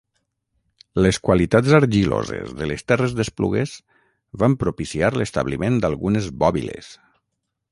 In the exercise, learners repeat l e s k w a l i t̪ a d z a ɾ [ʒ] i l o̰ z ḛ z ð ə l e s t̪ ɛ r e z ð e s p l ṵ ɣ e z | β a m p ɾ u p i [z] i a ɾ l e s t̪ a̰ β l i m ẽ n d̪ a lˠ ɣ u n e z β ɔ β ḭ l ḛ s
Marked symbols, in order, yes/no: yes, no

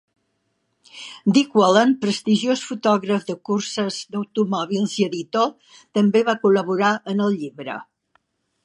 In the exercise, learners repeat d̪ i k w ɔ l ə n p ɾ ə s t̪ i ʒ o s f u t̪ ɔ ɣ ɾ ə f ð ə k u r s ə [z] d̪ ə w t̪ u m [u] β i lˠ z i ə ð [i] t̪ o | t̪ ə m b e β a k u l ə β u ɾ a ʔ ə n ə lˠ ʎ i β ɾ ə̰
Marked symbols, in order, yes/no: yes, no, yes

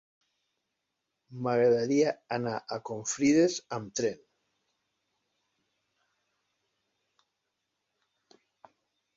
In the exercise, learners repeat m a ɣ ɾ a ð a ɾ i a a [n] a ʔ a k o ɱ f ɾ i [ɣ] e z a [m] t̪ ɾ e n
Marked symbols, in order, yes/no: yes, no, yes

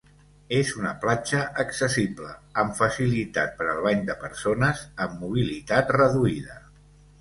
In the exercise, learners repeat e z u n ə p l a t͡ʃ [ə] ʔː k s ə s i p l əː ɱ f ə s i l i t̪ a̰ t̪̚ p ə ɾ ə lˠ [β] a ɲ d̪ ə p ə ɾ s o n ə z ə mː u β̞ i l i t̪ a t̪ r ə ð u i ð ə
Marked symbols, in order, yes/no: yes, yes

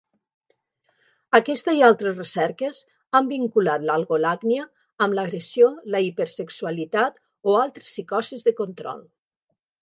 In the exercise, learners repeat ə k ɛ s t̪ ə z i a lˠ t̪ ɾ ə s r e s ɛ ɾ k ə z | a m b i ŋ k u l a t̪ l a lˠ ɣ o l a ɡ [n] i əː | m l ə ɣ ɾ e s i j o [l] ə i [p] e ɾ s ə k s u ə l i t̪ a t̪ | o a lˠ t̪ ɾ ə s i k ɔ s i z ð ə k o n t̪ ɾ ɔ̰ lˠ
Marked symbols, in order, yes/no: yes, yes, yes

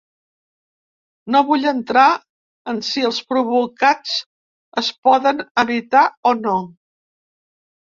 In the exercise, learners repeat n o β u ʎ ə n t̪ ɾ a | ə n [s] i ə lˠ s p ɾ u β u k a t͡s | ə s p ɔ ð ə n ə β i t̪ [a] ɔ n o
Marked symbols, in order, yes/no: yes, yes

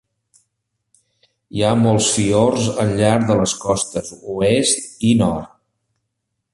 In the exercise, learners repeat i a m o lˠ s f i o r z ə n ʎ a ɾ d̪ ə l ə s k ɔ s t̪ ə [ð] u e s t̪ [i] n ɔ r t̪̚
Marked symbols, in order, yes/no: no, yes

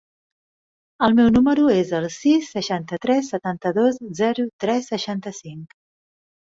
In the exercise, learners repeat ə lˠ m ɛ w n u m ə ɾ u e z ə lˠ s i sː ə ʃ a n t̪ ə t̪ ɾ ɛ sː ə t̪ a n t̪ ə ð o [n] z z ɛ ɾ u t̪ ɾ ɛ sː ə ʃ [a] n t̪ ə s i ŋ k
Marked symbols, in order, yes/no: no, yes

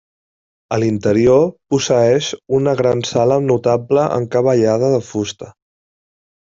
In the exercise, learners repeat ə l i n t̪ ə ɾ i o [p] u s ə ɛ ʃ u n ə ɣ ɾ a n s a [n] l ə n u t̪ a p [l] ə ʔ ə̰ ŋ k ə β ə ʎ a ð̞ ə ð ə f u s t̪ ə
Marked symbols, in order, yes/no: yes, no, yes

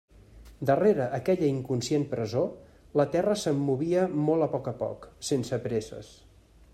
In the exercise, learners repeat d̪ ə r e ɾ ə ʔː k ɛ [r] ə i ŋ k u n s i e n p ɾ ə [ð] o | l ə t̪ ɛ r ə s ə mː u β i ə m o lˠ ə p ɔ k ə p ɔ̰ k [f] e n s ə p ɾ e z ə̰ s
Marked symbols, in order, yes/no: no, no, no

